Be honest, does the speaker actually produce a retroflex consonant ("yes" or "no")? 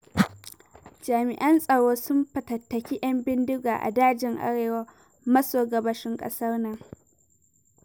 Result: yes